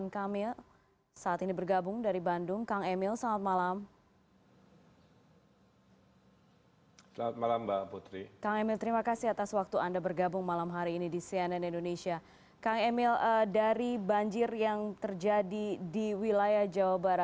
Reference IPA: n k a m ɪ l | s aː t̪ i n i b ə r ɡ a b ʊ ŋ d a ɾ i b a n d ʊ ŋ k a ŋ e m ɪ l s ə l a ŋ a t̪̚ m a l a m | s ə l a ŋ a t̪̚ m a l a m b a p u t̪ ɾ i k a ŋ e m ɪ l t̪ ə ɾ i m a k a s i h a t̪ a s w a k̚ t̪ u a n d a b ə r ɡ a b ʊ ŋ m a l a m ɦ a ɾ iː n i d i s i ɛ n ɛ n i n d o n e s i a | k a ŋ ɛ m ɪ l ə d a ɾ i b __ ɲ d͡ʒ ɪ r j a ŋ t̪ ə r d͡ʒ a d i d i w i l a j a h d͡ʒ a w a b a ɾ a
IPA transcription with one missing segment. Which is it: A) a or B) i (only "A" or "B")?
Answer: A